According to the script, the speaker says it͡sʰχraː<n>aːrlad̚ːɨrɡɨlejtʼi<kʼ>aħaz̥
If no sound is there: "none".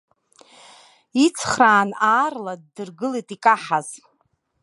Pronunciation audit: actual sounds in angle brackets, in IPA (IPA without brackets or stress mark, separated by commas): n, kʼ